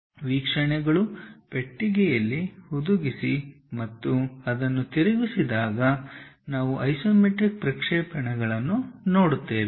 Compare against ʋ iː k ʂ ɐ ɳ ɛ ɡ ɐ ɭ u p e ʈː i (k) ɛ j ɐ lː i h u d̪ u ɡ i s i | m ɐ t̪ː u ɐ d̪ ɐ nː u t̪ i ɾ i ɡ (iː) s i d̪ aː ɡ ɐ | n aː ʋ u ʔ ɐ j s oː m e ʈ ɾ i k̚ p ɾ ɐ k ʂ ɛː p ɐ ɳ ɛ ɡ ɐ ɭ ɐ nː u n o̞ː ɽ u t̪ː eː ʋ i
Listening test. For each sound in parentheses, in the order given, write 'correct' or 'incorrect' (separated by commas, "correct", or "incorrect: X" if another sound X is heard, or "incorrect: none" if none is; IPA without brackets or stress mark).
incorrect: ɡ, incorrect: i